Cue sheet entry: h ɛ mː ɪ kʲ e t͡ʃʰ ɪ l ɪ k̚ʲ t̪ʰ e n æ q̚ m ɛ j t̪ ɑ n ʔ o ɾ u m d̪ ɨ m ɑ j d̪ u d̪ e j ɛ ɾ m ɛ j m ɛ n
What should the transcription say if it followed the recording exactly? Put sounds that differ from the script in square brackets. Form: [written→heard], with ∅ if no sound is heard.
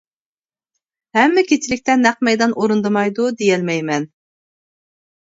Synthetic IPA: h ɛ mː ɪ kʲ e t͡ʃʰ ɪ l ɪ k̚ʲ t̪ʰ [e→ɛ] n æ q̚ m ɛ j [t̪→d̪] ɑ n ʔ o ɾ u [m→n] d̪ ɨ m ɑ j d̪ u d̪ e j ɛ [ɾ→l] m ɛ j m ɛ n